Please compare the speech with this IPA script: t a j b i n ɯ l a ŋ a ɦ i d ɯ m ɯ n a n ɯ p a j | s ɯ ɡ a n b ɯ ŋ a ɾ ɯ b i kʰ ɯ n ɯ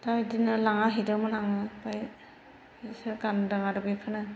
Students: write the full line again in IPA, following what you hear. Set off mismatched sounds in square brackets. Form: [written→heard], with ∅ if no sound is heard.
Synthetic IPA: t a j [b→d] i n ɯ l a ŋ a ɦ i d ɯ m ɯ n a [n→ŋ] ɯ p a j | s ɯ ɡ a n [b→d] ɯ ŋ a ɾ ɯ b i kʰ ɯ n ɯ